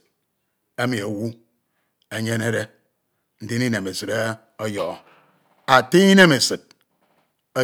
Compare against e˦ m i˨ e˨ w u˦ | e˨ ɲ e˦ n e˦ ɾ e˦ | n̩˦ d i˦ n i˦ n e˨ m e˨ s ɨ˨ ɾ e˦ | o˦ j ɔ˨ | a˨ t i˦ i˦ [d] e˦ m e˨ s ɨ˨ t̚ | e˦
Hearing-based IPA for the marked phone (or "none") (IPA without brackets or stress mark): n